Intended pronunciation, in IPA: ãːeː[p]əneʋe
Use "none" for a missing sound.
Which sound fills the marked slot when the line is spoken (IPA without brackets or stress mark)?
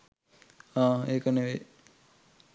k